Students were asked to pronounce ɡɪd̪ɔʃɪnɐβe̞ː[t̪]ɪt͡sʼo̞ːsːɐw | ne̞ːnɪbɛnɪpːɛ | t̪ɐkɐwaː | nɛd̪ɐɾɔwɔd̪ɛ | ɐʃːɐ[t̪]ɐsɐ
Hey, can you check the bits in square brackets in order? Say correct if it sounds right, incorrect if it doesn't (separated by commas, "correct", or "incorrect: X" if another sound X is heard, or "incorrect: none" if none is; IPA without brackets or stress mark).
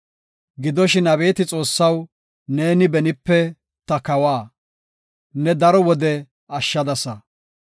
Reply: correct, incorrect: d̪